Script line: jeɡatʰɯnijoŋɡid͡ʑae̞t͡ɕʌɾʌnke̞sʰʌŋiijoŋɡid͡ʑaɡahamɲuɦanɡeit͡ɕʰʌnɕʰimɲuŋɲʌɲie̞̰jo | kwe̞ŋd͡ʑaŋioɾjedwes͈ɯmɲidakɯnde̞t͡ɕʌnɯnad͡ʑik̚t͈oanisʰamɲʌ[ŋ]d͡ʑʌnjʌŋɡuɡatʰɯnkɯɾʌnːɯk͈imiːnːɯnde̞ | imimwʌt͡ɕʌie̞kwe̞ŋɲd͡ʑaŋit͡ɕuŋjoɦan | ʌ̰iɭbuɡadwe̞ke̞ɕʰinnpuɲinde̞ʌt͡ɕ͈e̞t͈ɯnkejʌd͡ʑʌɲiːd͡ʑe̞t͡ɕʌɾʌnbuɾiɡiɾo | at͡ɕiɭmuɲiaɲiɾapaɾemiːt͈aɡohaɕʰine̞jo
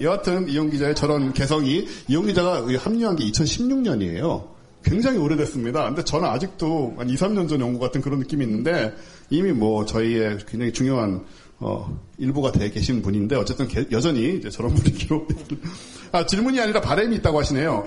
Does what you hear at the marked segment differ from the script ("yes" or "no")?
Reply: yes